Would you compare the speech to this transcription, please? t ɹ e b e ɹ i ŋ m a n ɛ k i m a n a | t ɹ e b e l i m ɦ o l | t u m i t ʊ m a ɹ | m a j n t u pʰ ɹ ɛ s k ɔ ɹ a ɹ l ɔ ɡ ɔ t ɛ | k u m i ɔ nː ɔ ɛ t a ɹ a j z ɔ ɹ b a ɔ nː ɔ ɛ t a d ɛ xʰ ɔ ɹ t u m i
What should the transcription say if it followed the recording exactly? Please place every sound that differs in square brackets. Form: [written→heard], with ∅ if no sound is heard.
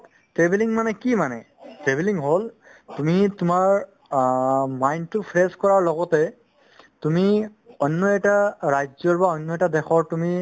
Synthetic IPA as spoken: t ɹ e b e [ɹ→l] i ŋ m a n ɛ k i m a n [a→ɛ] | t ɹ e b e l i [m→ŋ] ɦ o l | t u m i t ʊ m a ɹ | m a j n t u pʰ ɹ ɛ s k ɔ ɹ a ɹ l ɔ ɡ ɔ t ɛ | [k→t] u m i ɔ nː ɔ ɛ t a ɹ a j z ɔ ɹ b a ɔ nː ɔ ɛ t a d ɛ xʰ ɔ ɹ t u m i